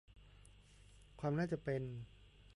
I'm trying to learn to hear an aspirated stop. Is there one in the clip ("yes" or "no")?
yes